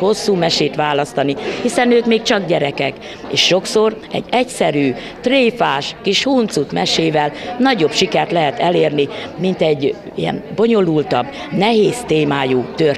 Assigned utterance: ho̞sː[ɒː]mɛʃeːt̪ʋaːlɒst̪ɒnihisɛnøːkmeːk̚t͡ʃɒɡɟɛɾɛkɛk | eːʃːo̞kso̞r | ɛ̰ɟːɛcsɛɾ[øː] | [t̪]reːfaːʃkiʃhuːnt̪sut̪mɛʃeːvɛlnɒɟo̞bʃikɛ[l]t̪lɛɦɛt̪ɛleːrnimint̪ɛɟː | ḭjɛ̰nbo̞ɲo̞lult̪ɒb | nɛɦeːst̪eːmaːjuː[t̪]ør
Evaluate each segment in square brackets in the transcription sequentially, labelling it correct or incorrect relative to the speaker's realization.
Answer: incorrect: uː, incorrect: yː, correct, incorrect: r, correct

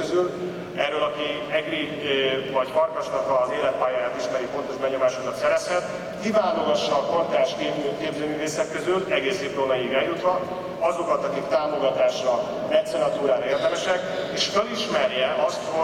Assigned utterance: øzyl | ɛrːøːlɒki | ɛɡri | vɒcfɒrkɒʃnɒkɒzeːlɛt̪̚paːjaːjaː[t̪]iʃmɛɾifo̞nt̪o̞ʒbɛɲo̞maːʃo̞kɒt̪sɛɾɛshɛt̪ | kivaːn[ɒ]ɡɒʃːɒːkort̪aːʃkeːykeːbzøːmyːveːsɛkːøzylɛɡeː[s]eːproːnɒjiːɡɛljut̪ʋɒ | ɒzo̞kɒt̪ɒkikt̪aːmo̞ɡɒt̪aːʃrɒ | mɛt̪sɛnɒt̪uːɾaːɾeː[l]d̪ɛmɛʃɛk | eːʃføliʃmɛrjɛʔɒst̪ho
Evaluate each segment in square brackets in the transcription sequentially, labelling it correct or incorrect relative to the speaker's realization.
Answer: correct, incorrect: o, correct, incorrect: r

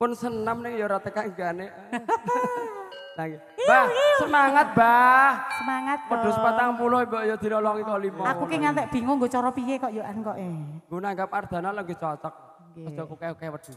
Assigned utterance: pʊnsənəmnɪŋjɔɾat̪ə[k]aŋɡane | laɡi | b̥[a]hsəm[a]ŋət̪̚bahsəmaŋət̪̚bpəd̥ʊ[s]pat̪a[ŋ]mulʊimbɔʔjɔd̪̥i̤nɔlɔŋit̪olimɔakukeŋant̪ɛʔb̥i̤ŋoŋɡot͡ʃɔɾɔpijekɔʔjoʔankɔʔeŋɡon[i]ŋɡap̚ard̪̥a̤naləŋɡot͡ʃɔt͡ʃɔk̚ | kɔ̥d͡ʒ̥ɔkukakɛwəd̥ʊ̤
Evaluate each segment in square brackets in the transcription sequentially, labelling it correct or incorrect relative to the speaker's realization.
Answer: correct, correct, correct, correct, correct, incorrect: a

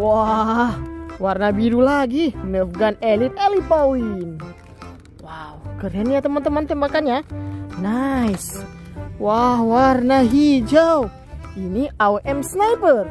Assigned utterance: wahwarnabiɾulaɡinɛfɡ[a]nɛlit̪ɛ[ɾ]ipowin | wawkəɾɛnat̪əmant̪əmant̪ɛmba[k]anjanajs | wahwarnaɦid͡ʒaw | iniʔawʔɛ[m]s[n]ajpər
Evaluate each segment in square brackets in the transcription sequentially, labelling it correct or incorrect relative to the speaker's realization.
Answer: correct, incorrect: l, correct, correct, correct

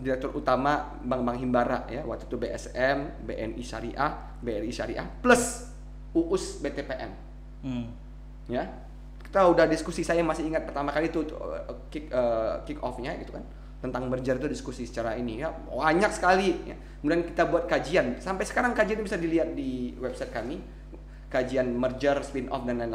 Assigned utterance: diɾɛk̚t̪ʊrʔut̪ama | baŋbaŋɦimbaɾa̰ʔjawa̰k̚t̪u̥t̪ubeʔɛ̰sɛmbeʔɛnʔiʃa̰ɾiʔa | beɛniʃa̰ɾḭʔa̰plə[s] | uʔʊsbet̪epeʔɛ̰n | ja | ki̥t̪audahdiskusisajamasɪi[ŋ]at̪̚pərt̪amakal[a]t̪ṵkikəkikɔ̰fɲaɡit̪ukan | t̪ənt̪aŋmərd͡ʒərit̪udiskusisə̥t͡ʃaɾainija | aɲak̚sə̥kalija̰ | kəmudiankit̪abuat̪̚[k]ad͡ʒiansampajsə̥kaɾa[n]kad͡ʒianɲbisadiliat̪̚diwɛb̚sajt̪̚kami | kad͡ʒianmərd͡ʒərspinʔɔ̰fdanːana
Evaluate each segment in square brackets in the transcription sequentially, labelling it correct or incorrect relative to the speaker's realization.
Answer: correct, correct, incorrect: i, correct, incorrect: ŋ

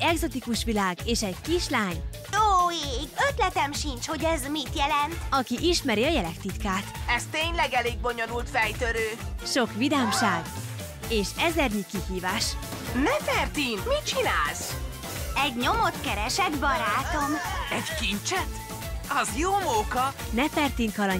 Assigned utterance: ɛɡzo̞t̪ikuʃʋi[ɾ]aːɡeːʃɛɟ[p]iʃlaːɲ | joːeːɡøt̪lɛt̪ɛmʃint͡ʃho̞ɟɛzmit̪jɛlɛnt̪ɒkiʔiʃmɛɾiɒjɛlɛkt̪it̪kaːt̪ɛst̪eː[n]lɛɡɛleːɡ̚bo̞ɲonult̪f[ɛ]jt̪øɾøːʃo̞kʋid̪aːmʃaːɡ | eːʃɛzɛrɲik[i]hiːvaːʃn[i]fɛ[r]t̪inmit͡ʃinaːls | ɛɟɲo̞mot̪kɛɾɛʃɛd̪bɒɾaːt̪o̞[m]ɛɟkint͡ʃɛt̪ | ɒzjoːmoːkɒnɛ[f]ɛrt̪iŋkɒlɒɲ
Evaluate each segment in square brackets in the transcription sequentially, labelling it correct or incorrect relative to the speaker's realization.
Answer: incorrect: l, incorrect: k, incorrect: ɲ, correct, correct, incorrect: ɛ, correct, correct, correct

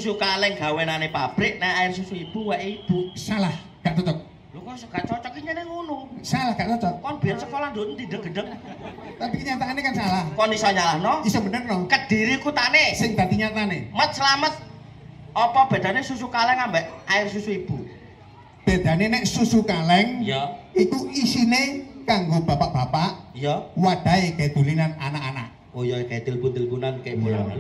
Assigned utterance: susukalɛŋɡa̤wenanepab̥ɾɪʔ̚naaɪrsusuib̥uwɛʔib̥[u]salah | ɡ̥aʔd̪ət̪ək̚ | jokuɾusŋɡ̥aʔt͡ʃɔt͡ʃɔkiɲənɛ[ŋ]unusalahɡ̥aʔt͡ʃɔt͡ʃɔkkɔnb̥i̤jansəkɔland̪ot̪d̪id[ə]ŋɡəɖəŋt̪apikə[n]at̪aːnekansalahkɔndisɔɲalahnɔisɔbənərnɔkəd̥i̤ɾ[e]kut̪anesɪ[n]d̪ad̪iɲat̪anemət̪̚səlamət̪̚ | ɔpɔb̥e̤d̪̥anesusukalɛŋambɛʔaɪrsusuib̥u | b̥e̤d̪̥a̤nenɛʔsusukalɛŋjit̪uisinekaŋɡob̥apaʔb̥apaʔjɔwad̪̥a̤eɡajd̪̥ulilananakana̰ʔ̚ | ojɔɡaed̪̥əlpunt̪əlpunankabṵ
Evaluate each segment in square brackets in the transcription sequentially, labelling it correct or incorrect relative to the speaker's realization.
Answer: correct, correct, correct, incorrect: ɲ, incorrect: i, incorrect: ŋ

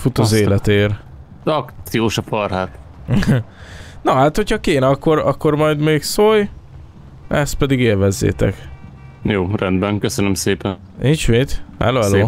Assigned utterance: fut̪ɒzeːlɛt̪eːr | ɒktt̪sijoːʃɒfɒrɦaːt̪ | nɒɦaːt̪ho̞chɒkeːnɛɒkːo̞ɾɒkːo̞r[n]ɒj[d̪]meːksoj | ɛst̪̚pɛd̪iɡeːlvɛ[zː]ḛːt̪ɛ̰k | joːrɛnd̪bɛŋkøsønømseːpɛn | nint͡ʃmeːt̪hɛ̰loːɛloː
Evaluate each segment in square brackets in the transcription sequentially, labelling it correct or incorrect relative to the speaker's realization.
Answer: incorrect: m, correct, correct

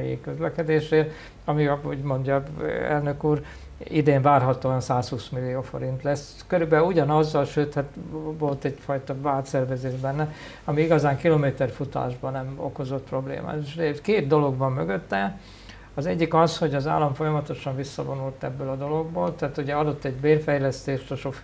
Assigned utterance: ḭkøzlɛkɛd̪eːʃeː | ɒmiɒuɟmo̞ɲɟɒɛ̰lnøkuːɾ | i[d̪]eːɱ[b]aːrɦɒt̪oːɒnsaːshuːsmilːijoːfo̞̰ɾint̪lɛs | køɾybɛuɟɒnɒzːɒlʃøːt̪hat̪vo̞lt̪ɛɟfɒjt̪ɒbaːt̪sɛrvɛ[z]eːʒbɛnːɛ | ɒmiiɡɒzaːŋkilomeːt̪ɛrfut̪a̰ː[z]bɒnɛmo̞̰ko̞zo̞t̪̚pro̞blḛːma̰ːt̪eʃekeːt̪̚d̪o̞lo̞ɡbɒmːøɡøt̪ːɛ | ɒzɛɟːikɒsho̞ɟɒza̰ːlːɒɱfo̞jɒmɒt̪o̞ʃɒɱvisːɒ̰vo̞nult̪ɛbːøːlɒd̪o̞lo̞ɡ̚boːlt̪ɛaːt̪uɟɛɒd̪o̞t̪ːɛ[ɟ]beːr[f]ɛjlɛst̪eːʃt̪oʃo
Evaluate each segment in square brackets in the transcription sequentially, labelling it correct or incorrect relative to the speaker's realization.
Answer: correct, incorrect: v, correct, incorrect: ʒ, correct, correct

